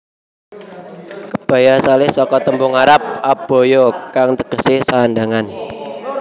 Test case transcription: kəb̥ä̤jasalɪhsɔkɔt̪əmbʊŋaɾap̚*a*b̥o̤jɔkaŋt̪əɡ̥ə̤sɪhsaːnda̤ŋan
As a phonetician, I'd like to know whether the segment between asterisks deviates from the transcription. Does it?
no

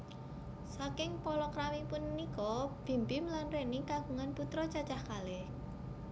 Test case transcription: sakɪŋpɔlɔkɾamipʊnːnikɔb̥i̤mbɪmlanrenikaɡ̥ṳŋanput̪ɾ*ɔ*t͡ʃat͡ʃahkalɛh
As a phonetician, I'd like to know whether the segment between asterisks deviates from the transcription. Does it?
no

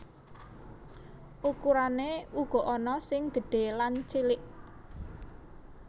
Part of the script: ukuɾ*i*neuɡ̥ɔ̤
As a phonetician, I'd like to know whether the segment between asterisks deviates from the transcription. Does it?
yes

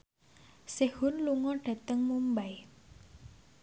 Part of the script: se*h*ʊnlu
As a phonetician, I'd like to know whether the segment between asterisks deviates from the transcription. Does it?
no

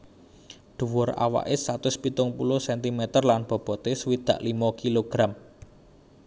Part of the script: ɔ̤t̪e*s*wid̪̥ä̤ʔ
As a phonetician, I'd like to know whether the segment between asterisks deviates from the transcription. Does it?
no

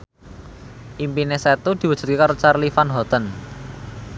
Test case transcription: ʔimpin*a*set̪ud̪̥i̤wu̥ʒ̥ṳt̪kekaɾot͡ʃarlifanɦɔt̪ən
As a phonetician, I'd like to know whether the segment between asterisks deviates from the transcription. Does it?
yes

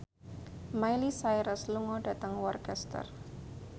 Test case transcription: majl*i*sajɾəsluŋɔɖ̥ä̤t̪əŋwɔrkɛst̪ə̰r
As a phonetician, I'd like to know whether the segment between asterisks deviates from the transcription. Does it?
no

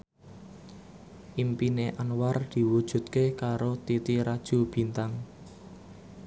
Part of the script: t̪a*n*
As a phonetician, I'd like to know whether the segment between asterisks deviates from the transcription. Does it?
yes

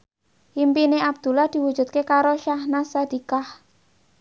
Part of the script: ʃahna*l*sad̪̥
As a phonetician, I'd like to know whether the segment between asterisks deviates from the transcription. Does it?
yes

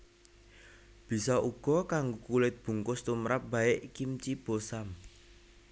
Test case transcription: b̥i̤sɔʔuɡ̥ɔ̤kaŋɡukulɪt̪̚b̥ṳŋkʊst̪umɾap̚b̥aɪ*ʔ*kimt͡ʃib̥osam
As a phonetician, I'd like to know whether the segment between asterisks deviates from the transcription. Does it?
no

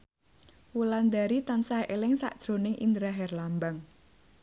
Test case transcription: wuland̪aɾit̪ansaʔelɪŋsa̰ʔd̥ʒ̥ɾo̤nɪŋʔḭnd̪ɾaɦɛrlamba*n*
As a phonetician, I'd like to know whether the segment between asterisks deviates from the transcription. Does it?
yes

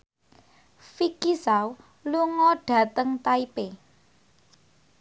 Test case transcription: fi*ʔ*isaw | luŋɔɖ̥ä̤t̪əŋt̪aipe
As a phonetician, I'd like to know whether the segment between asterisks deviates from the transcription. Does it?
yes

